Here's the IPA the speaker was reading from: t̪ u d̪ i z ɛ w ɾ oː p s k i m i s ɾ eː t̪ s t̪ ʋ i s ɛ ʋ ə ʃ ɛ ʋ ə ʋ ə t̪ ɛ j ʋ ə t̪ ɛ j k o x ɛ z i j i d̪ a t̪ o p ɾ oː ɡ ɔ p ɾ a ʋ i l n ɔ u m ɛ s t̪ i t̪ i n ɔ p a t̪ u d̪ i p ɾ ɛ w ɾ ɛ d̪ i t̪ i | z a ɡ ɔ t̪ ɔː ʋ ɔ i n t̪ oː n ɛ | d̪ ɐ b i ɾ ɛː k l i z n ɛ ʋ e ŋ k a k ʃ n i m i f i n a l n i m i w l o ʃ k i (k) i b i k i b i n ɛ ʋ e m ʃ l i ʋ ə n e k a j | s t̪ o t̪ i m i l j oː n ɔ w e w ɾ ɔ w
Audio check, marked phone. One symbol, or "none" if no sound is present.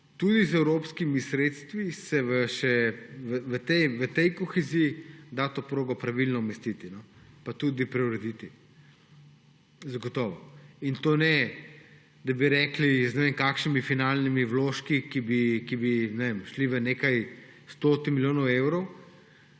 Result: k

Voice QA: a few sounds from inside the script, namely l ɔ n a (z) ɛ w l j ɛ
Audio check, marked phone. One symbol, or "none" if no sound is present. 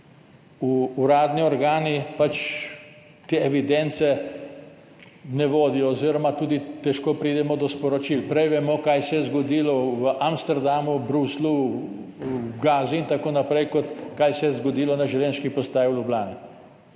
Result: ʒ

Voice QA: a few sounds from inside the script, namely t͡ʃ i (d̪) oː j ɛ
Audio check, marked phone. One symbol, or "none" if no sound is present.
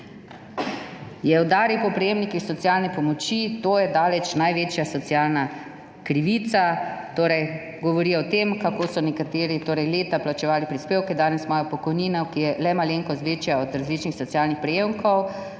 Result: t̪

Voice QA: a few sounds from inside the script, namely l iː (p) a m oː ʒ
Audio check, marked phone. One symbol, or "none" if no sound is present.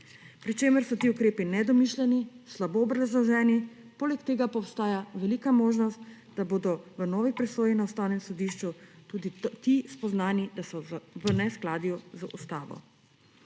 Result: k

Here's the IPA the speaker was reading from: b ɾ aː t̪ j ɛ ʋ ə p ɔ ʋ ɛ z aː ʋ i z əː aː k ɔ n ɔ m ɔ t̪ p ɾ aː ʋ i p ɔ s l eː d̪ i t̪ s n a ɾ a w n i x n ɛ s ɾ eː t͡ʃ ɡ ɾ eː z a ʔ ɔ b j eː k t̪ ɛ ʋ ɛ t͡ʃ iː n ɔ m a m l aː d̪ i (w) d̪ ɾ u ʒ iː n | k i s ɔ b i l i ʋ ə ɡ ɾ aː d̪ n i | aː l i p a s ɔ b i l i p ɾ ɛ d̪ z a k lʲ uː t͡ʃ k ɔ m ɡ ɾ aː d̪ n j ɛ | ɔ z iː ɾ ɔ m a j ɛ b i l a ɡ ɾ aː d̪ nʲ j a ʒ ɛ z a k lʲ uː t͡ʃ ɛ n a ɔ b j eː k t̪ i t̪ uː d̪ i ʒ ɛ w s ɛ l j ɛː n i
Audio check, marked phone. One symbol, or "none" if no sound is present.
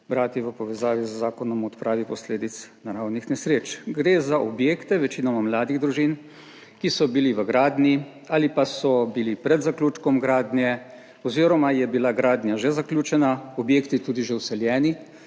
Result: ɣ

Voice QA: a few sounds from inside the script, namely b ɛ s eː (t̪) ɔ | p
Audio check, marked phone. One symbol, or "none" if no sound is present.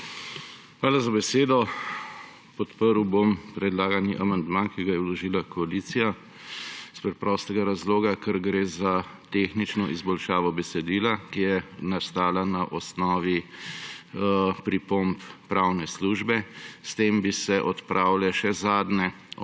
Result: d̪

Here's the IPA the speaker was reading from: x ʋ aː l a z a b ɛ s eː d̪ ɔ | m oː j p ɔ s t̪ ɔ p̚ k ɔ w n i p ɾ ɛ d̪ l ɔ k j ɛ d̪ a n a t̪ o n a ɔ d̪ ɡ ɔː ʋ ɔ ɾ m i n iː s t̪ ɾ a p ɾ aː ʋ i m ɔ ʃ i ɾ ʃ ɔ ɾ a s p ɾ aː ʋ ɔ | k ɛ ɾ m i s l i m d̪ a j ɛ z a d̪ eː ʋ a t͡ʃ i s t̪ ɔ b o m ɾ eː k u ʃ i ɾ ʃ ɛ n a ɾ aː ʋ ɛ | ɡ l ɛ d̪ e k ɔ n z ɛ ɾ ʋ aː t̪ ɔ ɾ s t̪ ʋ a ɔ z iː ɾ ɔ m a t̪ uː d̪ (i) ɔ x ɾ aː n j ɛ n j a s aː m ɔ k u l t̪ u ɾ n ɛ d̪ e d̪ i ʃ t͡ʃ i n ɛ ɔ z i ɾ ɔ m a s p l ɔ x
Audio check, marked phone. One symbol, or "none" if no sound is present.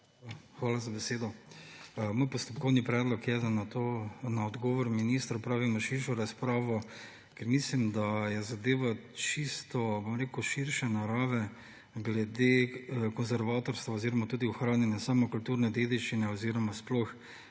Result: i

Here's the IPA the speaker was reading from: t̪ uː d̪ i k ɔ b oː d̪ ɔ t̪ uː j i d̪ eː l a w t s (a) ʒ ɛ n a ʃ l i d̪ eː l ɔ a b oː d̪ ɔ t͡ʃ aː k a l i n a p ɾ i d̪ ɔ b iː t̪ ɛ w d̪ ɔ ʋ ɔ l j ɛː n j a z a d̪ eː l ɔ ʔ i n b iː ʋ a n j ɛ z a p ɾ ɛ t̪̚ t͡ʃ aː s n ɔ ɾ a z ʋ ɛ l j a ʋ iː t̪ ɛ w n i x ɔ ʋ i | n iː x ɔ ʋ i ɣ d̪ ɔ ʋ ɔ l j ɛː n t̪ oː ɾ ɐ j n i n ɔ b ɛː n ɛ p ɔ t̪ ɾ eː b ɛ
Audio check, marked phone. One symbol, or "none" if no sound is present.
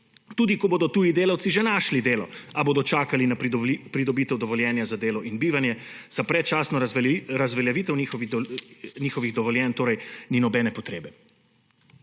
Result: i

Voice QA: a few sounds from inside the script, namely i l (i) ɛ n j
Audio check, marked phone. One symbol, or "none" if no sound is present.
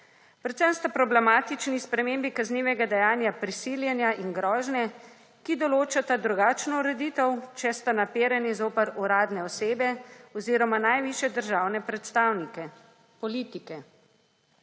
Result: j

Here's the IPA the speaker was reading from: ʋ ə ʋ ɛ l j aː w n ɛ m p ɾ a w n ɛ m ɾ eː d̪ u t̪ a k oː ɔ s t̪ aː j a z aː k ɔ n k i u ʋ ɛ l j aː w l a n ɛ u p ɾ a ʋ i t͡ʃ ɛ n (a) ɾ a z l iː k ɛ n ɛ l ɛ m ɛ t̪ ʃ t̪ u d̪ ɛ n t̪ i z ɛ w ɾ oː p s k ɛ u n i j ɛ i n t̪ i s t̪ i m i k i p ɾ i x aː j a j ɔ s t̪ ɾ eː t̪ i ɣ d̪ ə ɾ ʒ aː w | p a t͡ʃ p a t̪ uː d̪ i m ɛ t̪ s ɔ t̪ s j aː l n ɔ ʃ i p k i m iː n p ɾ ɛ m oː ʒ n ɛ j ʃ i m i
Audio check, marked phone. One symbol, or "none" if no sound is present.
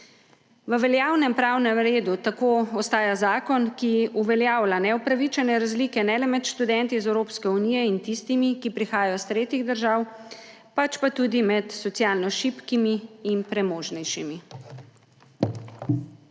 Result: ɛ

